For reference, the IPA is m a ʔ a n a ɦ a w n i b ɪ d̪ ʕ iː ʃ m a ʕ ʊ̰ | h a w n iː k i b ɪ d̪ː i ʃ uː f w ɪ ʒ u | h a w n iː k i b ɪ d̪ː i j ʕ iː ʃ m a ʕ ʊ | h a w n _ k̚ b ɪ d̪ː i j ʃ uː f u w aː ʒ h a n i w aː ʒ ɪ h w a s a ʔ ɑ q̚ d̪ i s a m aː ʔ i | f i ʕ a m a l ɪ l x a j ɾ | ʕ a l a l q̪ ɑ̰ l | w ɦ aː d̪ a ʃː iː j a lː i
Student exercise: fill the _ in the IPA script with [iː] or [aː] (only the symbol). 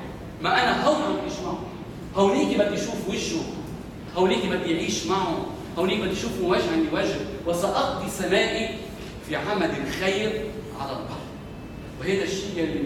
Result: iː